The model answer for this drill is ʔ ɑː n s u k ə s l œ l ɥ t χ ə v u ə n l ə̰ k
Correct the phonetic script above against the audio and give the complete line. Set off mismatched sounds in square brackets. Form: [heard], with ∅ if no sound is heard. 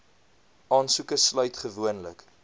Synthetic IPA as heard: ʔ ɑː n s u k ə s l œ [∅] ɥ t χ ə v u ə n l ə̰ k